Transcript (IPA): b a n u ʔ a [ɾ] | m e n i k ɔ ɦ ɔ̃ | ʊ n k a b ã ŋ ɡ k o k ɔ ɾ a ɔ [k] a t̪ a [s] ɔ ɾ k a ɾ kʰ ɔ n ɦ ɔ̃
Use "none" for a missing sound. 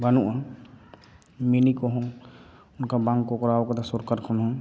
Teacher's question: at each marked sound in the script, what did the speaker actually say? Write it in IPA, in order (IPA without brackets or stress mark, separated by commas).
none, k, s